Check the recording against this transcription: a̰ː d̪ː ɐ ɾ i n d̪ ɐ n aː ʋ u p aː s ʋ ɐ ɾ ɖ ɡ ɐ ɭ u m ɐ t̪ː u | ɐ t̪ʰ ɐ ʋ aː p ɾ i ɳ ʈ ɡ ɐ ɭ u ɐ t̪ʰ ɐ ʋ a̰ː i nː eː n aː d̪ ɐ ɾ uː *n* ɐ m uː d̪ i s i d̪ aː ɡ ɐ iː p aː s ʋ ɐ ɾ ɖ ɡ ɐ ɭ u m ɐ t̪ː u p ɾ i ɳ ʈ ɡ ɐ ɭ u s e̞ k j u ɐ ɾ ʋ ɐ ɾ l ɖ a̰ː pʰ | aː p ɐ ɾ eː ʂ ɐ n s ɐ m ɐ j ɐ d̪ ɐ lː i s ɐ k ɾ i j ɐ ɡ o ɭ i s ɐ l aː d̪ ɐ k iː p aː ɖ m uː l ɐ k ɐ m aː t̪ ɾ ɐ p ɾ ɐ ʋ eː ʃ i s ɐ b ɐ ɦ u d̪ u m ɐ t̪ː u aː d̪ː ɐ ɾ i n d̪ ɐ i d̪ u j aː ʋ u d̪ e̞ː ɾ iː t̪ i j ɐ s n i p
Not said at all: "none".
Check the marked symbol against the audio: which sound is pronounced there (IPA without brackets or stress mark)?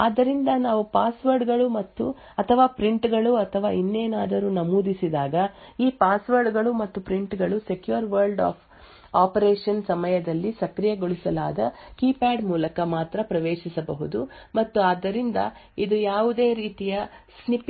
n